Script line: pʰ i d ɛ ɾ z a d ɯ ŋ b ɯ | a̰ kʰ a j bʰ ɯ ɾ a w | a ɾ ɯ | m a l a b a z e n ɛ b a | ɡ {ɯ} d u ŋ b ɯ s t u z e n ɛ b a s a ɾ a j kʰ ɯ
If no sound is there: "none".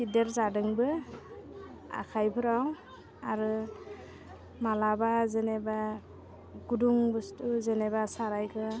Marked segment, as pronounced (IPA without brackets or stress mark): u